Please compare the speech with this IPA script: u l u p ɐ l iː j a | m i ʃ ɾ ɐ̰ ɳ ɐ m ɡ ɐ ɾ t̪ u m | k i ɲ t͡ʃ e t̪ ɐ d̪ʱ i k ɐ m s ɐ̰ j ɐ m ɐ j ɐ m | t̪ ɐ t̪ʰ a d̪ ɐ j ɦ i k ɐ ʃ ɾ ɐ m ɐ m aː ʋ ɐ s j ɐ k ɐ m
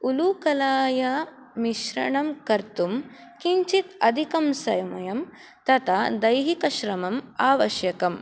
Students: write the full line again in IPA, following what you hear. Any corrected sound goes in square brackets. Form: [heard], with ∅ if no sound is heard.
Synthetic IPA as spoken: u l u [k] ɐ l [aː] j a | m i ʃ ɾ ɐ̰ ɳ ɐ m [k] ɐ ɾ t̪ u m | k i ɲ t͡ʃ [i] t̪ ɐ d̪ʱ i k ɐ m s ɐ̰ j ɐ m ɐ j ɐ m | t̪ ɐ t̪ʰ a d̪ ɐ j ɦ i k ɐ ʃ ɾ ɐ m ɐ m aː ʋ ɐ [ʃ] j ɐ k ɐ m